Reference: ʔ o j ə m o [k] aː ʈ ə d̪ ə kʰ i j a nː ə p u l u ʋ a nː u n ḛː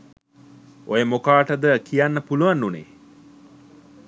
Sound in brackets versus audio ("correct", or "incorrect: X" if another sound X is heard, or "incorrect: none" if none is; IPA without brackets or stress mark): correct